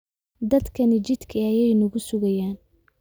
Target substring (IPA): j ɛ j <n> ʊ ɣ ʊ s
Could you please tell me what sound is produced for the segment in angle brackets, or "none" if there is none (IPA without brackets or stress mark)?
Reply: n